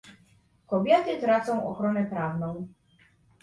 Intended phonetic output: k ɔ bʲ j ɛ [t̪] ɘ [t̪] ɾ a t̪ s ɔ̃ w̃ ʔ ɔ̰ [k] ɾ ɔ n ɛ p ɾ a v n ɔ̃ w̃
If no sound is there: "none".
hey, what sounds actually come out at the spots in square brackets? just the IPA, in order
t̪, t̪, x

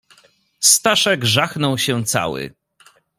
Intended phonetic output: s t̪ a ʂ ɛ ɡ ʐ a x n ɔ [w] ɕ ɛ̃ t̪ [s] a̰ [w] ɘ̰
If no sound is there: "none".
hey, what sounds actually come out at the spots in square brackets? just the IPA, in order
w, s, w

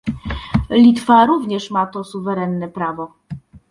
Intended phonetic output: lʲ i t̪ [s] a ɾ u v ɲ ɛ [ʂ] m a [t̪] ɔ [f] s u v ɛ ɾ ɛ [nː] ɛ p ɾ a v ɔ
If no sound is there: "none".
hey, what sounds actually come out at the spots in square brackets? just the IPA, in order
f, ʂ, t̪, none, nː

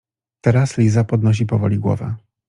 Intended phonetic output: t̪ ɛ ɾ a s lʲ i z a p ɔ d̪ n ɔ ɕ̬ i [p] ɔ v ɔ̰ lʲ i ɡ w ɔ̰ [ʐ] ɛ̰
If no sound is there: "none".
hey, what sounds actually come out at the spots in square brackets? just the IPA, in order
p, v

